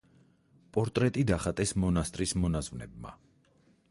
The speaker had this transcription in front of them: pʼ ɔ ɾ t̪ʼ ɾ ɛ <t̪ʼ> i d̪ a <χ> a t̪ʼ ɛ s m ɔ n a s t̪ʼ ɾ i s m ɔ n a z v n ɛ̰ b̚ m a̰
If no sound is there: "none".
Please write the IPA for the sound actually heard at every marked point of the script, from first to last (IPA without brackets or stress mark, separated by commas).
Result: t̪ʼ, χ